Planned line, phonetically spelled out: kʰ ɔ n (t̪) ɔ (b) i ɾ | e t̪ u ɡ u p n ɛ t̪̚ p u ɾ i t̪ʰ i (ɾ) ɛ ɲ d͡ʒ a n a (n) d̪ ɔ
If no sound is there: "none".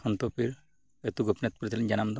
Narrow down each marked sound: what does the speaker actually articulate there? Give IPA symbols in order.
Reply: t̪, p, l, m

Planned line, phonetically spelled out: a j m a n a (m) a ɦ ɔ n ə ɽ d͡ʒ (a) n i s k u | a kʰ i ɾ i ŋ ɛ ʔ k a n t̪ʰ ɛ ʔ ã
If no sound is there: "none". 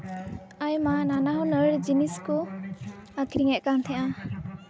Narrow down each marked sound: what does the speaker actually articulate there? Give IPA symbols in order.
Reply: n, i

